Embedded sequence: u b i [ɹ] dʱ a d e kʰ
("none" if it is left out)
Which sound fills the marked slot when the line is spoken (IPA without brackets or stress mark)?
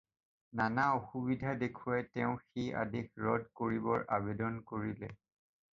none